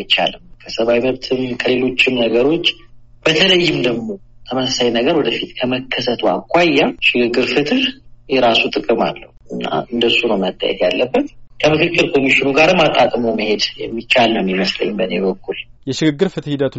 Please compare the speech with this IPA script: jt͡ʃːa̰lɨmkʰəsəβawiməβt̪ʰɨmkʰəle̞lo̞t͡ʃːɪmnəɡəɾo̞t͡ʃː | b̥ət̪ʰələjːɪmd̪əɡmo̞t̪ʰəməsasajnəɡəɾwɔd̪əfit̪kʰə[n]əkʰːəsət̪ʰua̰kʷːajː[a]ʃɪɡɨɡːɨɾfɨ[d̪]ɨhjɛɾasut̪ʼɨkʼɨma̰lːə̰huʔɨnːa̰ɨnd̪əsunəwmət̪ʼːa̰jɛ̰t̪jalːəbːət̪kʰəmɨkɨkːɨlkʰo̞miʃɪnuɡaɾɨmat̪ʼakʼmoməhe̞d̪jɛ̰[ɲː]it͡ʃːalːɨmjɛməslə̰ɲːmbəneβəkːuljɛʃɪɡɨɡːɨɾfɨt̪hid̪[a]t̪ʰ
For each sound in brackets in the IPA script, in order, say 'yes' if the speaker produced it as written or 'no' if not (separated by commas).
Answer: no, yes, no, no, no